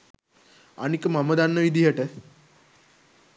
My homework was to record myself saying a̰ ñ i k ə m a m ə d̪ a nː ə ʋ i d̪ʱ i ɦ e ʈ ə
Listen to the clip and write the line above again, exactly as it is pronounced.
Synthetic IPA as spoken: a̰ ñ i k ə m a m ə d̪ a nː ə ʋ i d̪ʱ i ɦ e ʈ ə

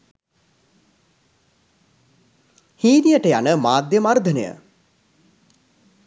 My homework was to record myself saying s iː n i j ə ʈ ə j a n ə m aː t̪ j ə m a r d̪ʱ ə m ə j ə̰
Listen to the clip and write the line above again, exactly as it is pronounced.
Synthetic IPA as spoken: h iː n i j ə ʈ ə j a n ə m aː d̪ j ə m a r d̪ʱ ə n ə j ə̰

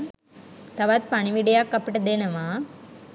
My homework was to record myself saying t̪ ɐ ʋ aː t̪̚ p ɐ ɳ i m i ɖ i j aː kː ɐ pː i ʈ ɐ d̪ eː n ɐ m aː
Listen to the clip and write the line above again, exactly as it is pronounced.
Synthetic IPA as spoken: t̪ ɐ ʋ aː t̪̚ p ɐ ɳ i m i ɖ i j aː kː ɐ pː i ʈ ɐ d̪ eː n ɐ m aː

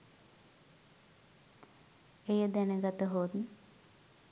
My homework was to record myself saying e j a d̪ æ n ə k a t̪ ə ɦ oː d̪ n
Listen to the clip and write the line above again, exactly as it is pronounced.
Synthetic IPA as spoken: e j ə d̪ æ n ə ɡ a t̪ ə ɦ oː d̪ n

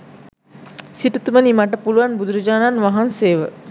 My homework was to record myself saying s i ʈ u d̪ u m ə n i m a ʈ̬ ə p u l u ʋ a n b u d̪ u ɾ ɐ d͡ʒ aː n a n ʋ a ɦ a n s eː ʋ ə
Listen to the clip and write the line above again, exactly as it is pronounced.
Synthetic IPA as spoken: s i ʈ u t̪ u m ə n i m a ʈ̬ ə p u l u ʋ a n b u d̪ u ɾ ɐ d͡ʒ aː n a n ʋ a ɦ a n s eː ʋ ə

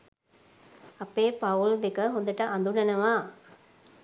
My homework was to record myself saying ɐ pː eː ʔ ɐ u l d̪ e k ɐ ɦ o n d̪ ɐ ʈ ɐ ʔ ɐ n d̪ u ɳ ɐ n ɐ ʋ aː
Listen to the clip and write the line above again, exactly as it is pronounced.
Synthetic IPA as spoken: ɐ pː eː p ɐ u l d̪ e k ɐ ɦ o n d̪ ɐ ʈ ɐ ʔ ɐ n d̪ u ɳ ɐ n ɐ ʋ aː

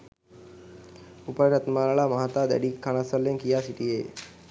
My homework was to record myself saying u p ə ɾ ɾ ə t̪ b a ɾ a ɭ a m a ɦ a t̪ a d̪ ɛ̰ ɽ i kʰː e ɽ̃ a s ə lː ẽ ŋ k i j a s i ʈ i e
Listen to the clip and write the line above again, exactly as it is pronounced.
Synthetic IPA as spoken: u p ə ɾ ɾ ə t̪ m a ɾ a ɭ a m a ɦ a t̪ a d̪ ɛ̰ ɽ i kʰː a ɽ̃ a s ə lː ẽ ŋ k i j a s i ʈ i e

